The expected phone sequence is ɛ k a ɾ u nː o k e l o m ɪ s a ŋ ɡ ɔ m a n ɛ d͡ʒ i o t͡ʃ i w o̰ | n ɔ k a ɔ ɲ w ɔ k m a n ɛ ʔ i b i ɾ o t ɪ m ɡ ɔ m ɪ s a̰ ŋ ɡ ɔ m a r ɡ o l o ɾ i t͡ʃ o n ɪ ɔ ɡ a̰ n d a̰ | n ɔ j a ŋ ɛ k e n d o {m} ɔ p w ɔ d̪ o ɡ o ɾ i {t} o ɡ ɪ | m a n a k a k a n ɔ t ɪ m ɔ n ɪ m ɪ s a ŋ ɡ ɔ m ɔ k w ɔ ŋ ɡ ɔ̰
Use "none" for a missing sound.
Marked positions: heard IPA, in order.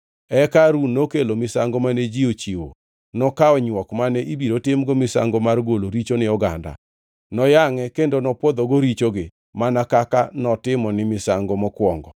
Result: n, t͡ʃ

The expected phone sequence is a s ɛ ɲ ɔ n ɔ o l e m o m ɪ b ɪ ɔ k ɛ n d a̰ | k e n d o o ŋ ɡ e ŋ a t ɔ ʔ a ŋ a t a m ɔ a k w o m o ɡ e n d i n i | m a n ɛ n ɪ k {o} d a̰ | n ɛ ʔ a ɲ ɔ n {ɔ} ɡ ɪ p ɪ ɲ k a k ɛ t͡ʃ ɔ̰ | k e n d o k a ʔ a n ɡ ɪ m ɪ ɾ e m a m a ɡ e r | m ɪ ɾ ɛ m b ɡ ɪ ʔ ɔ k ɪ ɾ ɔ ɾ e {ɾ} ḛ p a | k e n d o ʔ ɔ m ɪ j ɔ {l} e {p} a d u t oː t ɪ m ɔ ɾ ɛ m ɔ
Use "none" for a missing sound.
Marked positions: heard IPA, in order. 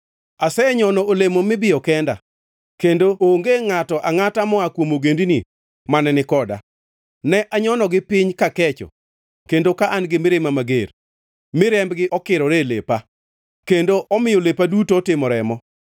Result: ɔ, ɔ, l, l, p

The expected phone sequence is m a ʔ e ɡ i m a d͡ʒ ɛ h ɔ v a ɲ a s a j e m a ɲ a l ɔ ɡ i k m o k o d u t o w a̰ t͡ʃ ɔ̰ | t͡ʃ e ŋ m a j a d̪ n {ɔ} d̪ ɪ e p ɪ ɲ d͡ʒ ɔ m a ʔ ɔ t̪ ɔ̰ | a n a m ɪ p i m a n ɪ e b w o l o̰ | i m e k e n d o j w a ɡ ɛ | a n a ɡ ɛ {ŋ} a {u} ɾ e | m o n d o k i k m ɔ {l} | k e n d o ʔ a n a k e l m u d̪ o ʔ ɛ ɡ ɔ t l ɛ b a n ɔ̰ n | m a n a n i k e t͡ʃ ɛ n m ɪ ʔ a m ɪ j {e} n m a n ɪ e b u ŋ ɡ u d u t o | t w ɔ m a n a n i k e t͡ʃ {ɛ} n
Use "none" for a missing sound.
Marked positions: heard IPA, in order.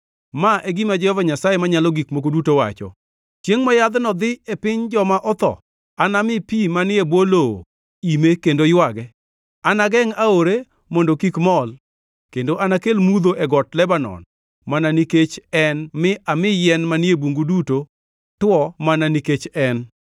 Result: ɔ, ŋ, o, l, ɛ, ɛ

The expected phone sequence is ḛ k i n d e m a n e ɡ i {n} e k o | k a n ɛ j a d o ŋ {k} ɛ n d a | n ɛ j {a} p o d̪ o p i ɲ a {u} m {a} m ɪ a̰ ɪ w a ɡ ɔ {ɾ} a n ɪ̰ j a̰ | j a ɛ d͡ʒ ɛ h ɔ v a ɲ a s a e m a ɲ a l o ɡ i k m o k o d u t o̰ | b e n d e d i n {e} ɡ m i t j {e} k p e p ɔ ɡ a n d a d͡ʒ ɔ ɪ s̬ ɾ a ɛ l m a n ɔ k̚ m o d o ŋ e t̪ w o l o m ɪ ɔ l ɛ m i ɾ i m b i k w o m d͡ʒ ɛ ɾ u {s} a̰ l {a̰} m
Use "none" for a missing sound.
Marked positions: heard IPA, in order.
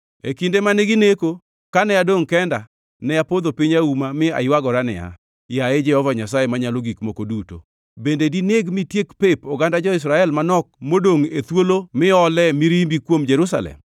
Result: n, k, a, u, a, ɾ, e, e, s, ɛ̰

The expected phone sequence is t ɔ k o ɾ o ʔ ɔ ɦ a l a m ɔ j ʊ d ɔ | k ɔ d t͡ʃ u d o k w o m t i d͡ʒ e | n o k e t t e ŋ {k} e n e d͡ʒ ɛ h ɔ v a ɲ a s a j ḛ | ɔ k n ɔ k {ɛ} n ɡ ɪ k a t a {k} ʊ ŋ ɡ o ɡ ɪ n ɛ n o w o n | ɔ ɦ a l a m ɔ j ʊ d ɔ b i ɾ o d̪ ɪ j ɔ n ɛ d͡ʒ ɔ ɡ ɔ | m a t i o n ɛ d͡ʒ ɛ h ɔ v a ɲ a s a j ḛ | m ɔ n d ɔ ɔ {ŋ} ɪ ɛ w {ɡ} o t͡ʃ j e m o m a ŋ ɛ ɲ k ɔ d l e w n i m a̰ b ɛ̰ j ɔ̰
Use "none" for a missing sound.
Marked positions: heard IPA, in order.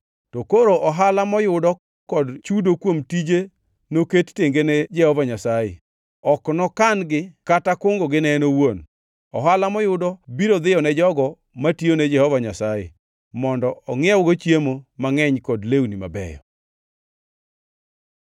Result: ɡ, a, k, ŋ, ɡ

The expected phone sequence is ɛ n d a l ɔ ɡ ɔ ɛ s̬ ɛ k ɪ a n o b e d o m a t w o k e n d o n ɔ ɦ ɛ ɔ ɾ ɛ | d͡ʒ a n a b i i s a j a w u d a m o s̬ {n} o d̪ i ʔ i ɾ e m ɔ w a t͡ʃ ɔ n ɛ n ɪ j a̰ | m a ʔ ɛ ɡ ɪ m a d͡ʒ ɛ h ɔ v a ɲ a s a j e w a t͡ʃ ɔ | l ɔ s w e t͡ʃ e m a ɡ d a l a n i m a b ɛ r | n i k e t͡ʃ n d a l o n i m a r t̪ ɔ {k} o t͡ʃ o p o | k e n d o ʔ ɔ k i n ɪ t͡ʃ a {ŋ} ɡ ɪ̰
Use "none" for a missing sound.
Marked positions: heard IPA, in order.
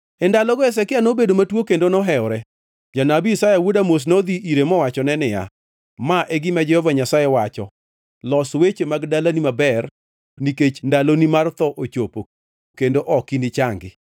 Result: n, ʔ, ŋ

